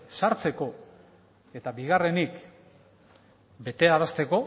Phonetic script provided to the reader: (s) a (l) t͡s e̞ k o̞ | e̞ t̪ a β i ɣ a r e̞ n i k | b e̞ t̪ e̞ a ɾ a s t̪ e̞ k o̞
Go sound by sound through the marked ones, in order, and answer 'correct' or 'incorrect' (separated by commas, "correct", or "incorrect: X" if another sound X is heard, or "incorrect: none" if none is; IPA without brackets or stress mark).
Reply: correct, incorrect: ɾ